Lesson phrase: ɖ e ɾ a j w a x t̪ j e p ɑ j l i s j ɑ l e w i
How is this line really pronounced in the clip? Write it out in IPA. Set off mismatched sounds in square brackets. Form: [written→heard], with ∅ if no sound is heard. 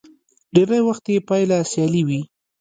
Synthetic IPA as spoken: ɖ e ɾ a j w a x t̪ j e p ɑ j l [i→a] s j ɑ l [e→i] w i